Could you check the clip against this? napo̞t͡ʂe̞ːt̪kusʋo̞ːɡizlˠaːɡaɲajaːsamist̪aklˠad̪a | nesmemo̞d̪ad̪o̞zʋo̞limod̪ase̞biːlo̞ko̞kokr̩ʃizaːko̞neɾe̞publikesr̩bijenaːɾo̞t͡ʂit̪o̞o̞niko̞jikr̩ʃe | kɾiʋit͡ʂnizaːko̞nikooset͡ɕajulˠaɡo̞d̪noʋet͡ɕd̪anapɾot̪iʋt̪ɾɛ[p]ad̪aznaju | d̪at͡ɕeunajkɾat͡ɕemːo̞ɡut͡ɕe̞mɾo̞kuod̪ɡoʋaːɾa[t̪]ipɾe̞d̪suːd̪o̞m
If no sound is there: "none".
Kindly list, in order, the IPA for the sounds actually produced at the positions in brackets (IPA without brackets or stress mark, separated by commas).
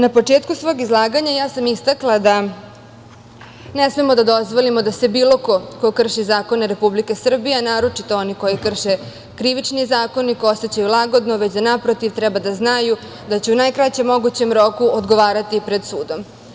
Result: b, t̪